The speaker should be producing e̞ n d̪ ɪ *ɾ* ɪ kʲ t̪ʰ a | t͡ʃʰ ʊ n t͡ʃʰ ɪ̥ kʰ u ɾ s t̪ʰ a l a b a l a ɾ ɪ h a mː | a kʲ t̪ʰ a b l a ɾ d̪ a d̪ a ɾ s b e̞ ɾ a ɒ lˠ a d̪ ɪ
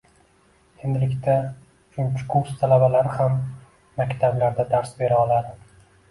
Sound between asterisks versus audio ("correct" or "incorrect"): incorrect